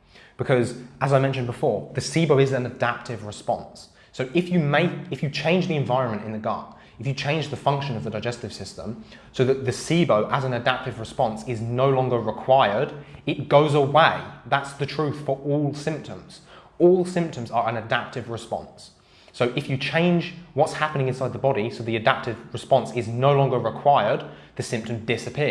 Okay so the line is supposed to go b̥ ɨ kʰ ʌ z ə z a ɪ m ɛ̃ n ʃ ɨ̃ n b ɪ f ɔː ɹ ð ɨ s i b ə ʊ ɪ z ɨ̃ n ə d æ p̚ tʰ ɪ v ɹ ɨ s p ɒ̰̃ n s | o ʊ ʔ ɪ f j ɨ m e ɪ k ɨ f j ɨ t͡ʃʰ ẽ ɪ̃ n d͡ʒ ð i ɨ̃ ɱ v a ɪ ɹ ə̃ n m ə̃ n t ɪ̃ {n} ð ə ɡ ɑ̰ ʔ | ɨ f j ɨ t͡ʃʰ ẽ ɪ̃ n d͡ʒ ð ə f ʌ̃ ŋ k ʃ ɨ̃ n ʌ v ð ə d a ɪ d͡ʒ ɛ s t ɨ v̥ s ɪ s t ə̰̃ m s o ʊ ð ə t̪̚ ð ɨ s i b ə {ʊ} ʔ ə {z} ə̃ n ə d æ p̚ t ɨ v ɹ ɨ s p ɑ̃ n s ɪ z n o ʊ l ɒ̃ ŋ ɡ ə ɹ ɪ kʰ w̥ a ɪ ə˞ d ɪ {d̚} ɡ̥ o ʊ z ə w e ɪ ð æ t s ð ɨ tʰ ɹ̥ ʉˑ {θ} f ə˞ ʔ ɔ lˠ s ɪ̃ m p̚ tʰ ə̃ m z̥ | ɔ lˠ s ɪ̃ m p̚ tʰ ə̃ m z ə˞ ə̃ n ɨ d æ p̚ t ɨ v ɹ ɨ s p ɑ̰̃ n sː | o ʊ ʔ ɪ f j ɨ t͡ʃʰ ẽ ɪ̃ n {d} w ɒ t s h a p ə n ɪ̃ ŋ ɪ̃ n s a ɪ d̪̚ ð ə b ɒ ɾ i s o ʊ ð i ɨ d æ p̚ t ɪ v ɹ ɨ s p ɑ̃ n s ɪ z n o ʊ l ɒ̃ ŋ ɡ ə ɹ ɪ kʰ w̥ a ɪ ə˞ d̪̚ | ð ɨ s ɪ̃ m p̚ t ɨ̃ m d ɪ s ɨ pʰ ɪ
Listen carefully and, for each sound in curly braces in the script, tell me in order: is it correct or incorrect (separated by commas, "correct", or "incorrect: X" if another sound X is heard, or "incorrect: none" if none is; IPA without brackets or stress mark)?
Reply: correct, correct, correct, incorrect: t̚, correct, incorrect: d͡ʒ